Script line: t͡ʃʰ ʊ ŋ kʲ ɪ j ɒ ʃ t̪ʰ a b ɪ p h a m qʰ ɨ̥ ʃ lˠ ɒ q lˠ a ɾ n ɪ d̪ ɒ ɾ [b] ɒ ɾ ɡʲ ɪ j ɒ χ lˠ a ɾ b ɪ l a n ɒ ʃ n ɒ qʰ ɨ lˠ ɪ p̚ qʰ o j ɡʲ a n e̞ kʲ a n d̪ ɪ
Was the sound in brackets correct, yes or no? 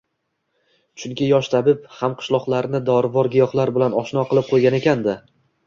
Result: no